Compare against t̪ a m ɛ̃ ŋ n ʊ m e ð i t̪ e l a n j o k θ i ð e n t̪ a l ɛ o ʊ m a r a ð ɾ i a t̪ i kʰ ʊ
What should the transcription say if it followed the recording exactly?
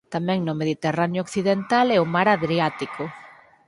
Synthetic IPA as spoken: t̪ a m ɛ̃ ŋ n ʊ m e ð i t̪ e r a n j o k θ i ð e n t̪ a l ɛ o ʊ m a ɾ a ð ɾ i a t̪ i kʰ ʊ